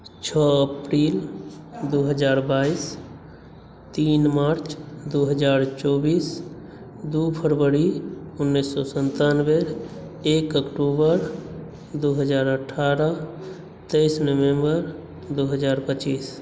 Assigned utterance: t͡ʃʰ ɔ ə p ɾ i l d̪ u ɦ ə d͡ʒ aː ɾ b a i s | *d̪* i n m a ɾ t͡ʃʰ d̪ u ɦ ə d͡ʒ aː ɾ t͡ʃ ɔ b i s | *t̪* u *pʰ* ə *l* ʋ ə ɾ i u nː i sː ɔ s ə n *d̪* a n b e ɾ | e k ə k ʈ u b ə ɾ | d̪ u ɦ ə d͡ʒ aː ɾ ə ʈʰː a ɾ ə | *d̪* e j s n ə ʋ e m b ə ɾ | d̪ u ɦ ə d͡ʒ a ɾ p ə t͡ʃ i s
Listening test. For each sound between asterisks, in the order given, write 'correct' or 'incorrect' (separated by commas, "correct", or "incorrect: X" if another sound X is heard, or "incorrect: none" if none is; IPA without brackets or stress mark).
incorrect: t̪, incorrect: d̪, correct, incorrect: ɾ, incorrect: t̪, incorrect: t̪